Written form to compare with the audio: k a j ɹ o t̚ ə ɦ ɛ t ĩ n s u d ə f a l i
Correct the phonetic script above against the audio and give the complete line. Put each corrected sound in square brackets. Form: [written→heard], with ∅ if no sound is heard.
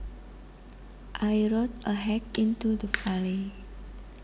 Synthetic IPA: [k→ʔ] a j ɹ o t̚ ə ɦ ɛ [t→k] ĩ n [s→t] u d ə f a l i